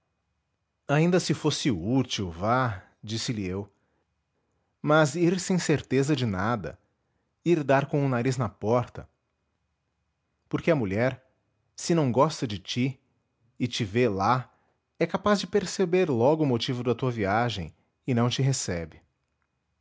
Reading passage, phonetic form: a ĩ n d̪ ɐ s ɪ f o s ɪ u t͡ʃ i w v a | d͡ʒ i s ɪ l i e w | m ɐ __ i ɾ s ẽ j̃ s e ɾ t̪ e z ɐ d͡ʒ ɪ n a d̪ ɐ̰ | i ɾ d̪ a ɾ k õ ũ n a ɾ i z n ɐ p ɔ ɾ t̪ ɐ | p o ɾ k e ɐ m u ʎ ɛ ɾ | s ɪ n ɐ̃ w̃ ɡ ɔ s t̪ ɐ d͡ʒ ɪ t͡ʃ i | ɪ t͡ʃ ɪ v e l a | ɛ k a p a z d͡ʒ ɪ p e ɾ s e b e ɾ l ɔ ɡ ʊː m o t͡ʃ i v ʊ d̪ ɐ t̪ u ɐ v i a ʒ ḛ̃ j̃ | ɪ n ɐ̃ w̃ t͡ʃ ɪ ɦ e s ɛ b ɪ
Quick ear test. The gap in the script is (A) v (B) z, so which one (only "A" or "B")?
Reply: B